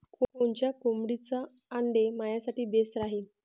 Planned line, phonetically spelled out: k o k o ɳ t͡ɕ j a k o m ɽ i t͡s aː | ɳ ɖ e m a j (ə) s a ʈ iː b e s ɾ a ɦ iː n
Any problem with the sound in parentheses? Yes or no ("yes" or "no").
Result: yes